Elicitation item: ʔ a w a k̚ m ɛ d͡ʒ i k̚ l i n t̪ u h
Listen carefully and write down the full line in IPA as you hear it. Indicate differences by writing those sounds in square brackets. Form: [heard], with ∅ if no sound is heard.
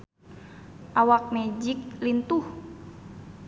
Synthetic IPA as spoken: ʔ a w a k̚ m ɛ d͡ʒ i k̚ l i n t̪ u h